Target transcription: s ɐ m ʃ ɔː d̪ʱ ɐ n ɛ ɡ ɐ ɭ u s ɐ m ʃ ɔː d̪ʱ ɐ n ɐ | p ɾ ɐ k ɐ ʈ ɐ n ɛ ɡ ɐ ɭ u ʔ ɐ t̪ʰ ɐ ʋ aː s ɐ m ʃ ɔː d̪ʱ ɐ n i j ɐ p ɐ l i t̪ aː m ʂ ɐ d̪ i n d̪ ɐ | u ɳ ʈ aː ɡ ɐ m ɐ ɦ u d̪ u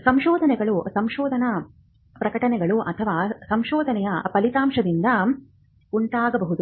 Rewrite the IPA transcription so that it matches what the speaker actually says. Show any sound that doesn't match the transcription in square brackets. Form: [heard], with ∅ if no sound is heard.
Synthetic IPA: s ɐ m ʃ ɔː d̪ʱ ɐ n ɛ ɡ ɐ ɭ u s ɐ m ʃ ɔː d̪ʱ ɐ n ɐ | p ɾ ɐ k ɐ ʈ ɐ n ɛ ɡ ɐ ɭ u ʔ ɐ t̪ʰ ɐ ʋ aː s ɐ m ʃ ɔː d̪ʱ ɐ n [ɛ] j ɐ p ɐ l i t̪ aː m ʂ ɐ d̪ i n d̪ ɐ | u ɳ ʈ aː ɡ ɐ [b] ɐ ɦ u d̪ u